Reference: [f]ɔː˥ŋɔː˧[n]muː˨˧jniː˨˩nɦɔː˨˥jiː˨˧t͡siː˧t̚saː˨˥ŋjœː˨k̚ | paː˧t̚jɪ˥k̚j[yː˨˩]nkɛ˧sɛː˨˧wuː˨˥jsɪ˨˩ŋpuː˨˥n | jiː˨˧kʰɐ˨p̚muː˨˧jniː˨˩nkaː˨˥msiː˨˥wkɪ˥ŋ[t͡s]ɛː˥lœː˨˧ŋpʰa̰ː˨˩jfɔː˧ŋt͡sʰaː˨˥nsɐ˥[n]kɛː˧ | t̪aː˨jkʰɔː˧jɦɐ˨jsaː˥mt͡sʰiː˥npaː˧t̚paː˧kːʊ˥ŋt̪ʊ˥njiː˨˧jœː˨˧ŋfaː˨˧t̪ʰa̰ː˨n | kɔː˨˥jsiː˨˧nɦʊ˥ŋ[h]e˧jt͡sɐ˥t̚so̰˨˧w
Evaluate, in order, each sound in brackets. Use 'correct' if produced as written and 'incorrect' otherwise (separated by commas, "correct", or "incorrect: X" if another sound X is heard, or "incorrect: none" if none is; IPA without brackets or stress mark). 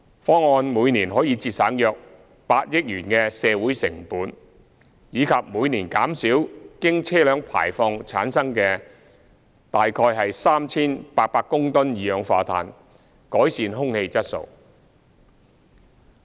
correct, correct, correct, incorrect: t͡sʰ, incorrect: ŋ, correct